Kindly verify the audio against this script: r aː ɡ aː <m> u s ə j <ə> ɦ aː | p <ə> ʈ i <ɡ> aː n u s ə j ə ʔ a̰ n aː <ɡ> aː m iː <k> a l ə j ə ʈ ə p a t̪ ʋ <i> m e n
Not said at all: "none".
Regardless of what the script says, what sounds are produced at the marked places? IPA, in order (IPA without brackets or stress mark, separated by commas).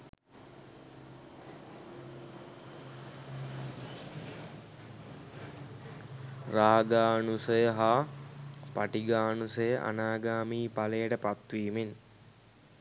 n, ə, a, ɡ, ɡ, p, iː